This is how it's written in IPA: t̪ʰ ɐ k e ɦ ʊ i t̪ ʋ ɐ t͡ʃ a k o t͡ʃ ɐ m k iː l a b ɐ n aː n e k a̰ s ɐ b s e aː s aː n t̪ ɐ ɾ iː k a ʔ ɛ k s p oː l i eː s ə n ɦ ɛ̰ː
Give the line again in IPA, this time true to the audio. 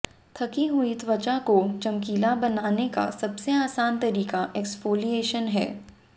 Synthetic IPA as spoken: t̪ʰ ɐ k i ɦ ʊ i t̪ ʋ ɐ t͡ʃ a k o t͡ʃ ɐ m k iː l a b ɐ n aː n e k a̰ s ɐ b s e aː s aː n t̪ ɐ ɾ iː k a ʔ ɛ k s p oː l i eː ʃ ə n ɦ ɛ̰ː